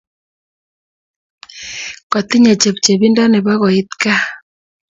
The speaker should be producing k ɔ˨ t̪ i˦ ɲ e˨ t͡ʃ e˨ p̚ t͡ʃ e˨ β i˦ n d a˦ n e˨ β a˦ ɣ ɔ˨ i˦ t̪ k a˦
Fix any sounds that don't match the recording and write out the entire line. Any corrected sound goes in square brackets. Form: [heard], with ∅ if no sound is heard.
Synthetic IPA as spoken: k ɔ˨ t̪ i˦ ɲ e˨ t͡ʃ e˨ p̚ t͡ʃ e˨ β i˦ n d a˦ n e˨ β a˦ ɣ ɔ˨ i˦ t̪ k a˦